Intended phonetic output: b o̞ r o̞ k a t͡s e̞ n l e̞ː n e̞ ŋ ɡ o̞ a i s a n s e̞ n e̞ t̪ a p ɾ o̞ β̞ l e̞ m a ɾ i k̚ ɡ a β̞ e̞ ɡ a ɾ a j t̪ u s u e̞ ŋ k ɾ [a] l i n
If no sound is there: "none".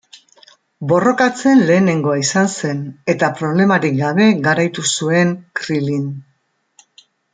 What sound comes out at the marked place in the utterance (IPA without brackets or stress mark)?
i